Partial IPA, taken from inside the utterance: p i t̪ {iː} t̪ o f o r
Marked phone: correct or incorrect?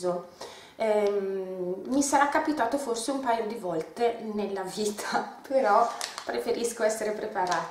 incorrect